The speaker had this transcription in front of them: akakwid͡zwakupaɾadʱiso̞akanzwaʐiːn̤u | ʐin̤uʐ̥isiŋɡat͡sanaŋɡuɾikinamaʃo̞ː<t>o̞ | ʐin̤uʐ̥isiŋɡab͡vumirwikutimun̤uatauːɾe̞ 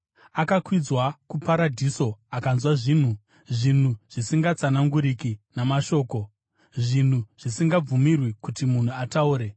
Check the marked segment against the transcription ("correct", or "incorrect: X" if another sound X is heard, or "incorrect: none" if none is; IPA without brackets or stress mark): incorrect: k